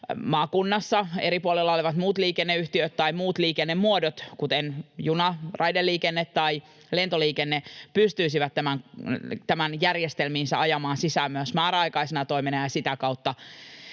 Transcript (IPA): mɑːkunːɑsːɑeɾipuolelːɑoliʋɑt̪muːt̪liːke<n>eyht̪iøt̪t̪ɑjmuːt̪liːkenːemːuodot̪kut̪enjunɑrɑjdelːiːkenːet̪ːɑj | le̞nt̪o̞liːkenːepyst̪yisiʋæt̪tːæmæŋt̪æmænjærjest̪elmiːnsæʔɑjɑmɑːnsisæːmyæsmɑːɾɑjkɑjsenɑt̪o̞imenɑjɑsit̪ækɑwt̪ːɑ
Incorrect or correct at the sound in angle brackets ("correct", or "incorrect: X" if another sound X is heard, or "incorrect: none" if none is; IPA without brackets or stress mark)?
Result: incorrect: nː